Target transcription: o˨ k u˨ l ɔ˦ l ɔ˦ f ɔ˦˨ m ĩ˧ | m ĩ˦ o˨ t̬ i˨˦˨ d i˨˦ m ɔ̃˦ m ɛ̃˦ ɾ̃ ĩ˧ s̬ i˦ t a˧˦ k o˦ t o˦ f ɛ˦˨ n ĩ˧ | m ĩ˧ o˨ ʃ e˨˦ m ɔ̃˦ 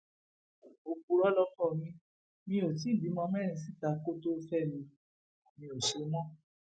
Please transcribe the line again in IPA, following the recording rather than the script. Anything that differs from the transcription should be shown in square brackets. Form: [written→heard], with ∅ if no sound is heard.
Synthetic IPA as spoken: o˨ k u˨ [l→ɾ] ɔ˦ l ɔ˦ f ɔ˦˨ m ĩ˧ | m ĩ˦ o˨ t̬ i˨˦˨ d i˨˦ m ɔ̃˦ m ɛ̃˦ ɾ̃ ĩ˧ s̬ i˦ t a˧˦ k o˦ t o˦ f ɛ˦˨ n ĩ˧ | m ĩ˧ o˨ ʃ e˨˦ m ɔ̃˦